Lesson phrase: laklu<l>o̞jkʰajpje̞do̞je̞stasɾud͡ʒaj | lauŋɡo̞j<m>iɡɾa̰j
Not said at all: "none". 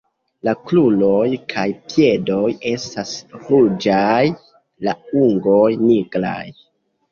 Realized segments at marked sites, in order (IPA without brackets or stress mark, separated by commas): l, n